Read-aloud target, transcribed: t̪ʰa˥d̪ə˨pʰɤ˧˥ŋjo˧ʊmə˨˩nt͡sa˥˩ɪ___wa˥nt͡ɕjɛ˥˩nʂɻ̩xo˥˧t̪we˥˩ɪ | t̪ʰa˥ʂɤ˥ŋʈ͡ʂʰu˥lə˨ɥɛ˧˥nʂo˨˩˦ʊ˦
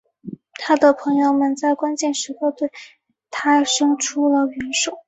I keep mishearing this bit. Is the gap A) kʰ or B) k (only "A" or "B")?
B